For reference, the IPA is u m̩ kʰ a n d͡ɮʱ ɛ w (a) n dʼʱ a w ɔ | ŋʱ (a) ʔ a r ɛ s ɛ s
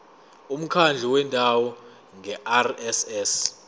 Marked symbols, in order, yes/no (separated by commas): no, no